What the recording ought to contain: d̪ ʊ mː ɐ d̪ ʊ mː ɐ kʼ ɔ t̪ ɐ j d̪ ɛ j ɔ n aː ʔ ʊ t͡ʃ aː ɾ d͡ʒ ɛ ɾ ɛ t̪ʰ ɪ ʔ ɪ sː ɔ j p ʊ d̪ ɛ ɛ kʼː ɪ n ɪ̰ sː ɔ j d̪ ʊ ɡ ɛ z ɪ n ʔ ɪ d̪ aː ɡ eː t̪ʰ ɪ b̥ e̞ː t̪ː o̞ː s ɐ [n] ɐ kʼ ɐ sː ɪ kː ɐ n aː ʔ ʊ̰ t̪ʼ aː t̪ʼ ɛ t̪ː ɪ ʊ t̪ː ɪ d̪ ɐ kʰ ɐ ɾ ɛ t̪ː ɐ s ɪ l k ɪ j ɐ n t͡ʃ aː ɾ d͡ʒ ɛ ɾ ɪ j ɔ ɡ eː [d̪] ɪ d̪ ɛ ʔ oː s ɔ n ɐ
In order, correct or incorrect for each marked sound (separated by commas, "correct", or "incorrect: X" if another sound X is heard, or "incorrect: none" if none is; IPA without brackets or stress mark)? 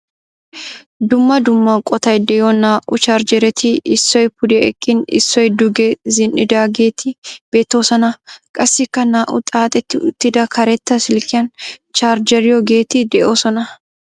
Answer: correct, incorrect: t̪